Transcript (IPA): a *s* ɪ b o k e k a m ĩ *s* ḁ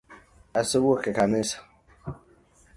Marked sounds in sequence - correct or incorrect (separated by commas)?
correct, correct